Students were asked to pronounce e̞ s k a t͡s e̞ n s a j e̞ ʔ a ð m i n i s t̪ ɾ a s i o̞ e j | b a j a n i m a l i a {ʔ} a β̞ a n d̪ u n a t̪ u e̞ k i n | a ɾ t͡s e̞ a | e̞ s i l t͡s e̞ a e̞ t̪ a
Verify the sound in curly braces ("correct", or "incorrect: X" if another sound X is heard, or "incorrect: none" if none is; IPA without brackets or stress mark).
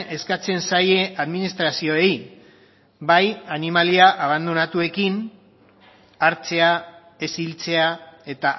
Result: correct